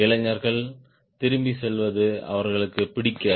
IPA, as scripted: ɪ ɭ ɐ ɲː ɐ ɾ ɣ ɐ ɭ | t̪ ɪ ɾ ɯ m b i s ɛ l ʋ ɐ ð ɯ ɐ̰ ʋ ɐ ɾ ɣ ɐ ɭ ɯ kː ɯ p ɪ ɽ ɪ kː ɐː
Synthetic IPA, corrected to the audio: ɪ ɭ ɐ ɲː ɐ ɾ ɣ ɐ ɭ | t̪ ɪ ɾ ɯ m b i s ɛ l ʋ ɐ ð ɯ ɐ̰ ʋ ɐ ɾ ɣ ɐ ɭ ɯ kː ɯ p ɪ ɽ ɪ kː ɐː